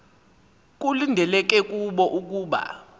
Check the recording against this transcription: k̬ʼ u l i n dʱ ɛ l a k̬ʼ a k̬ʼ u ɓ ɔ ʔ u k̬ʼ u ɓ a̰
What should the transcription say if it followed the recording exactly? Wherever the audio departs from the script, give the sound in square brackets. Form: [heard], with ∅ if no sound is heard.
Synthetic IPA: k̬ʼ u l i n dʱ ɛ l [ɛ] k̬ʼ [ɛ] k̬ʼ u ɓ ɔ ʔ u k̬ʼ [uː] ɓ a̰

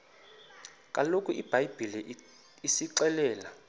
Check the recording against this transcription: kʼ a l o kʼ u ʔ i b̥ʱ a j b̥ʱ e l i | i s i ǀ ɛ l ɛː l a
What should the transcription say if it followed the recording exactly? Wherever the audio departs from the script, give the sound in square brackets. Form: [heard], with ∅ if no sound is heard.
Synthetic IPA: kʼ a l o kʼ u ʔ i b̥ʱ a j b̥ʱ [i] l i | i s i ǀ ɛ l ɛː l a

